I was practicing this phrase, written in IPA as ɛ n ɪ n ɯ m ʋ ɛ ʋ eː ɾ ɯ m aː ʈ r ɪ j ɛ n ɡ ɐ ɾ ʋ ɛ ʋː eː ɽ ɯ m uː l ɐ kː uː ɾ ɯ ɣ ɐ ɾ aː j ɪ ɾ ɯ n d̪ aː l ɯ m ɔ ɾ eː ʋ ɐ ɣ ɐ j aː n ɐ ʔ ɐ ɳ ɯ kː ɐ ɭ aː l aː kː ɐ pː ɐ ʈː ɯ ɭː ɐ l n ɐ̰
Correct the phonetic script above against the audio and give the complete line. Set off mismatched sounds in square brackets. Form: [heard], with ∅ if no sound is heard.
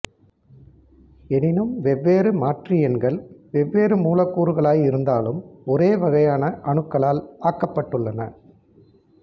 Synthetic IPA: ɛ n ɪ n ɯ m ʋ ɛ [ʋː] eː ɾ ɯ m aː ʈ r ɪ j ɛ n ɡ ɐ [ɭ] ʋ ɛ ʋː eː [ɾ] ɯ m uː l ɐ kː uː ɾ ɯ ɣ ɐ [ɭ] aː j ɪ ɾ ɯ n d̪ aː l ɯ m ɔ ɾ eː ʋ ɐ ɣ ɐ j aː n ɐ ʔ ɐ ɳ ɯ kː ɐ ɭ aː l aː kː ɐ pː ɐ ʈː ɯ ɭː ɐ [∅] n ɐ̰